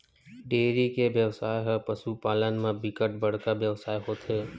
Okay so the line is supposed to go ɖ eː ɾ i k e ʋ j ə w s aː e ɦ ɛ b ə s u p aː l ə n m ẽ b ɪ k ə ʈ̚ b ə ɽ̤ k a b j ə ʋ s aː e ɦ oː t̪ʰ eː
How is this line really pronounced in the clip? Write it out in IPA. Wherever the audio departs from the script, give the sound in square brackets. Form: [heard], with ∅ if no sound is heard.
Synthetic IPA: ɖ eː ɾ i k e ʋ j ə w s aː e ɦ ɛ [p] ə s u p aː l ə n m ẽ b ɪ k ə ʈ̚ b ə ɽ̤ k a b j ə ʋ s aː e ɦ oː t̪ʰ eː